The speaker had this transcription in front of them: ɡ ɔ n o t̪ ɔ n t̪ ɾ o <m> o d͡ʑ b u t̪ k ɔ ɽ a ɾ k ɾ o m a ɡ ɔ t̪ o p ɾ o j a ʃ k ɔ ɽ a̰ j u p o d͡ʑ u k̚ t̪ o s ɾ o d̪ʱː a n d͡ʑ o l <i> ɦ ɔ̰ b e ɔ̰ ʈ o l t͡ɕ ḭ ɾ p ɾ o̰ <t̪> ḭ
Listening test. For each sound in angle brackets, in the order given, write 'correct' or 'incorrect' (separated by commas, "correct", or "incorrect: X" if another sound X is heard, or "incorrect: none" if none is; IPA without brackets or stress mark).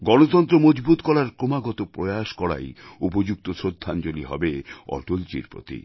correct, correct, correct